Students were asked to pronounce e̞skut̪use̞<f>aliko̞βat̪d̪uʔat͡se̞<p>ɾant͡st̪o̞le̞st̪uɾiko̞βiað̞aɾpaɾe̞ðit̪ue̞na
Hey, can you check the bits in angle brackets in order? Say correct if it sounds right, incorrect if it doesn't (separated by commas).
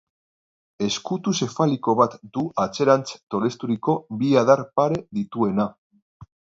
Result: correct, incorrect